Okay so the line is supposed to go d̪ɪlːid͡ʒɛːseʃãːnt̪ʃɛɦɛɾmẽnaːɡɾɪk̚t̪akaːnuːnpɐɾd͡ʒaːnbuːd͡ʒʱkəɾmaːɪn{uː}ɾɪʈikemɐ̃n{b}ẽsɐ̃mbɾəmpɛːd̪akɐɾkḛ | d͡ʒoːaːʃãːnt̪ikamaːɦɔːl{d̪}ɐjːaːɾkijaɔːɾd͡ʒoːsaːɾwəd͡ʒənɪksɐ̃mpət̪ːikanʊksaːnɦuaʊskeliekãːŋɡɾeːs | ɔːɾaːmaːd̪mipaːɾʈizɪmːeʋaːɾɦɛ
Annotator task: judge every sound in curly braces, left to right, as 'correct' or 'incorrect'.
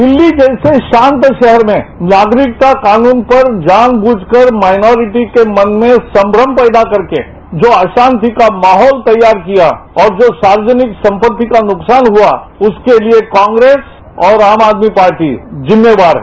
incorrect, incorrect, incorrect

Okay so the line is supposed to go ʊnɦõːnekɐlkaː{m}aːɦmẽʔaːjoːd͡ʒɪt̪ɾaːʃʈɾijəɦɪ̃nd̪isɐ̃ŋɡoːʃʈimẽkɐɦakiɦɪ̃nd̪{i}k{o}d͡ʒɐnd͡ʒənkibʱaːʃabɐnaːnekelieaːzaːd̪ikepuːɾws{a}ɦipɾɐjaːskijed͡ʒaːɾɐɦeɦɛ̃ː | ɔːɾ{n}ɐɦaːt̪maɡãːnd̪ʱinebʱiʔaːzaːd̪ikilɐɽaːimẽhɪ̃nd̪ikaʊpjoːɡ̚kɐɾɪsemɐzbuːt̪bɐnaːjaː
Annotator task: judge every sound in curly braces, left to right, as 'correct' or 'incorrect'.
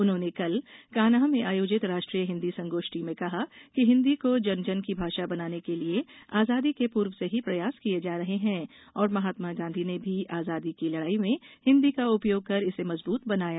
incorrect, correct, correct, incorrect, incorrect

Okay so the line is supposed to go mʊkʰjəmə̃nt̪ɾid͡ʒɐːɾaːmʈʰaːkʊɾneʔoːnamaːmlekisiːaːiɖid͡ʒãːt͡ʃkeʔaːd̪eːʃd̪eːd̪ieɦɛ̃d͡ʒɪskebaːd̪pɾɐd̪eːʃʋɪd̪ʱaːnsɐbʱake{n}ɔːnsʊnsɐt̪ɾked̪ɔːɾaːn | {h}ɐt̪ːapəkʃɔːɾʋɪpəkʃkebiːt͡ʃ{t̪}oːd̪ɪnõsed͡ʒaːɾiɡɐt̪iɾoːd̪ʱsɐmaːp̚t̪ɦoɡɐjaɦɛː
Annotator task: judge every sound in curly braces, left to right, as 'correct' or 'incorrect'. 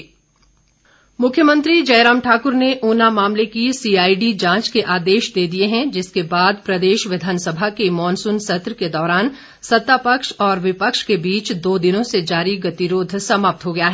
incorrect, incorrect, incorrect

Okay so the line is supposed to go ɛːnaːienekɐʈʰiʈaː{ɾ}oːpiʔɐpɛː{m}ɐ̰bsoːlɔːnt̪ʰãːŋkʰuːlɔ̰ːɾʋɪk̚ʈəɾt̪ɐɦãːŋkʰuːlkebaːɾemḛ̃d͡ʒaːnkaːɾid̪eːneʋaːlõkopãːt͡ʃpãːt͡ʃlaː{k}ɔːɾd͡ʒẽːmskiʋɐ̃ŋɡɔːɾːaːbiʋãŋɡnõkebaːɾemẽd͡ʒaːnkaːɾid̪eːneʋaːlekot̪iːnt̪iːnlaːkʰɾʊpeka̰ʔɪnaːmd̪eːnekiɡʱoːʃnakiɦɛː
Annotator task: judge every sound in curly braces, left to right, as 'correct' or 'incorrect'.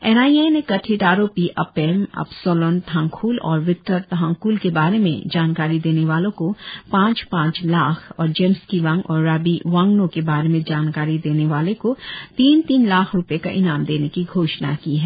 correct, correct, incorrect

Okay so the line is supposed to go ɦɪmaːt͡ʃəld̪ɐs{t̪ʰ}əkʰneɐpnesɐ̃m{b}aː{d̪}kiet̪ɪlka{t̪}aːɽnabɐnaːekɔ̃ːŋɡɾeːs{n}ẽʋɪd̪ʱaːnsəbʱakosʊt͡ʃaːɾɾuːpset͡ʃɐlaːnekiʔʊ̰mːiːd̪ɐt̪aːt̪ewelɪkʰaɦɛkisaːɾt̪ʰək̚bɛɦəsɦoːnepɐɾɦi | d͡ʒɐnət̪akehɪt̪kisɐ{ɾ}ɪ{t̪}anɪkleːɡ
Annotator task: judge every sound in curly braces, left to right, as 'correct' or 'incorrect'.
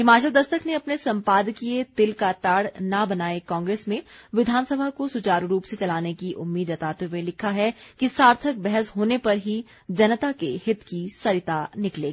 incorrect, incorrect, correct, correct, incorrect, correct, correct

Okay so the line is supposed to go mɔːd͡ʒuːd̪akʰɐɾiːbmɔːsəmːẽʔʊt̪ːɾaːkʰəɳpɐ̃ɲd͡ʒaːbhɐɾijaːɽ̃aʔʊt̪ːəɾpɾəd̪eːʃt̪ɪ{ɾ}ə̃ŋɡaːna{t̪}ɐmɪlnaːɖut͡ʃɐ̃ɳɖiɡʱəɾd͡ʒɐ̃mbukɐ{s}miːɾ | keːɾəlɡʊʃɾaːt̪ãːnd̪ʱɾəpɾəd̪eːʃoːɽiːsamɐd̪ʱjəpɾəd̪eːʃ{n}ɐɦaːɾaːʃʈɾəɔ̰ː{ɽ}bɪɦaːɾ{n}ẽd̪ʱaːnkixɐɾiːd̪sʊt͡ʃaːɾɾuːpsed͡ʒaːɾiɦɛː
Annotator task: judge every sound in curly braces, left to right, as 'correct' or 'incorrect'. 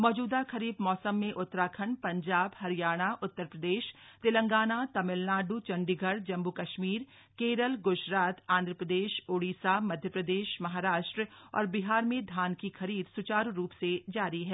incorrect, correct, incorrect, incorrect, incorrect, incorrect

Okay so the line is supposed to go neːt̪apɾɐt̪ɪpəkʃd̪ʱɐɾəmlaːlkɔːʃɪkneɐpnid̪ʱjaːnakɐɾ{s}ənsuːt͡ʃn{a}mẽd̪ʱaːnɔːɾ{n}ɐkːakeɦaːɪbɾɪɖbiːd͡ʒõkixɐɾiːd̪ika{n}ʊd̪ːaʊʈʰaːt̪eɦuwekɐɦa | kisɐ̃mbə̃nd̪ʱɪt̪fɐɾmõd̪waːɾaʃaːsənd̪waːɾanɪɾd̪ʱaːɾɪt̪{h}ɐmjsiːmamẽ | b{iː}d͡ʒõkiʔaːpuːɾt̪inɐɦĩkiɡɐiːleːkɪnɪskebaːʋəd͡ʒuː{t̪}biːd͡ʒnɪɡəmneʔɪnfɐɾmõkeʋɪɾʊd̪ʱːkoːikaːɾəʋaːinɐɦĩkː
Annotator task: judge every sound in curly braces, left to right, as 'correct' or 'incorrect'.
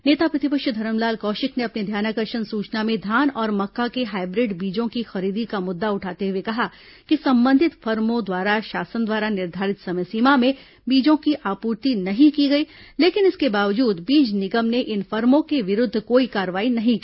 incorrect, correct, incorrect, incorrect, incorrect, correct, incorrect

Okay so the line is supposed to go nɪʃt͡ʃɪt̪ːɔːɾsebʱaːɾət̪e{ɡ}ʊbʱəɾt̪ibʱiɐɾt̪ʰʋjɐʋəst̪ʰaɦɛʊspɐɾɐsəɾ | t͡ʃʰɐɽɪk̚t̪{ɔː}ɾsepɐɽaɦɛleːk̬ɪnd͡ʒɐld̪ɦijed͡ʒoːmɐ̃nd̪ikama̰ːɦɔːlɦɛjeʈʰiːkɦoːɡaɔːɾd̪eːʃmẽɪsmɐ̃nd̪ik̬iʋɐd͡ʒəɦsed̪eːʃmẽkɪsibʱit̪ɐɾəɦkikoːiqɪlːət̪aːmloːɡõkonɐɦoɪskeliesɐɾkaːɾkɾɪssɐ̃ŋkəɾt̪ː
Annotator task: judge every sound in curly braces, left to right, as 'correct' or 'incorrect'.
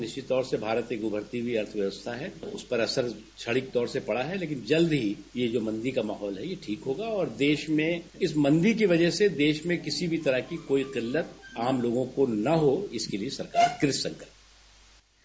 correct, correct

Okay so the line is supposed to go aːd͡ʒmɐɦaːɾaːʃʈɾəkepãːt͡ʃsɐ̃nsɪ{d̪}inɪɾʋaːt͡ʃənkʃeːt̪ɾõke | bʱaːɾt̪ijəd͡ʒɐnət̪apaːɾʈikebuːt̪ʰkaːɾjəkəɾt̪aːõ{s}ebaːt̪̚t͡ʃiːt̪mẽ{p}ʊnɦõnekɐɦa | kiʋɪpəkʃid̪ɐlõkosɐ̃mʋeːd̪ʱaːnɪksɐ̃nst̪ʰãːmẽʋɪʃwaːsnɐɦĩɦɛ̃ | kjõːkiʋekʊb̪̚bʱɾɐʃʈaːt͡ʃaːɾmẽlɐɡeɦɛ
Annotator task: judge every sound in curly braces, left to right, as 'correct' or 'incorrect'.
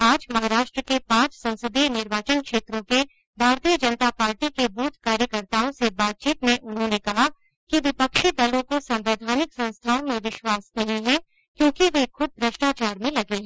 correct, correct, incorrect

